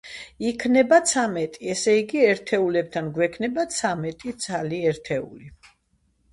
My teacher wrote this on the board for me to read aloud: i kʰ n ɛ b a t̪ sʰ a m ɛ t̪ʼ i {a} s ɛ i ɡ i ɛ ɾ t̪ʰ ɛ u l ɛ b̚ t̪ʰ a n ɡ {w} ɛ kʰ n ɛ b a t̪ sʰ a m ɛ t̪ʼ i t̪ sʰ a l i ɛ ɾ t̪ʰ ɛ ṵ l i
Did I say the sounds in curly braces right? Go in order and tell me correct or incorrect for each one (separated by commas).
incorrect, correct